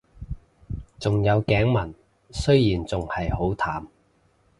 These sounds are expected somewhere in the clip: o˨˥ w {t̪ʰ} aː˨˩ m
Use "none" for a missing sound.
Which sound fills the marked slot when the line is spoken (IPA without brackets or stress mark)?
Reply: t̪ʰ